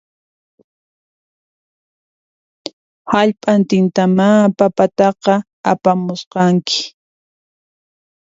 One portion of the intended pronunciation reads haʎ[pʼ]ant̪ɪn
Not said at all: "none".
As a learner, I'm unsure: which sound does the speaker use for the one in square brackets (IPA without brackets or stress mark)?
pʼ